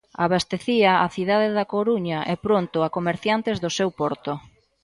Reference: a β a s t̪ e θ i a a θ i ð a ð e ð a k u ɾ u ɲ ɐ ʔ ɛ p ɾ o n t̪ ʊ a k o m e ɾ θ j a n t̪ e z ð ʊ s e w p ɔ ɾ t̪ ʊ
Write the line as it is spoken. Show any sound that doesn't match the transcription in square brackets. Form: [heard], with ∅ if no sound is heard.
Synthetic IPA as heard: a β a s t̪ e θ i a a θ i ð a ð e ð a k [o] ɾ u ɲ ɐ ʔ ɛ p ɾ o n t̪ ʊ a k o m e ɾ θ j a n t̪ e z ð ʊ s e w p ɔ ɾ t̪ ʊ